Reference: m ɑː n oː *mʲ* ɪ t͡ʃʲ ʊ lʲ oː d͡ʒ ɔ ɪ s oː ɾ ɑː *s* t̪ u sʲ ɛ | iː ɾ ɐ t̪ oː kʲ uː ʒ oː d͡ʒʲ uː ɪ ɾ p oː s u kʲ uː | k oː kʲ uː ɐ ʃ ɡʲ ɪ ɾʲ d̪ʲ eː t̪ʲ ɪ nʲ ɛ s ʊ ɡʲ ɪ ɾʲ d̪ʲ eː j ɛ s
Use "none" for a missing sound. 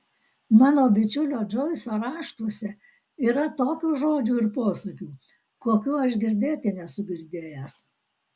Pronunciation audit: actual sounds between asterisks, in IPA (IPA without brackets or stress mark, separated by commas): bʲ, ʃ